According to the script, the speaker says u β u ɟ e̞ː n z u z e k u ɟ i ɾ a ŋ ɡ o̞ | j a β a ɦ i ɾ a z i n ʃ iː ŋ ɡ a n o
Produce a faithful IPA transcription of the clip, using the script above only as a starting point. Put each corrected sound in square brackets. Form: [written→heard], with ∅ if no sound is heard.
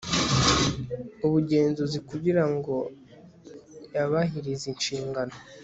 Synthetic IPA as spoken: u β u ɟ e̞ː n z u z [e→i] k u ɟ i ɾ a ŋ ɡ o̞ | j a β a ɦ i ɾ [a→i] z i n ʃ iː ŋ ɡ a n o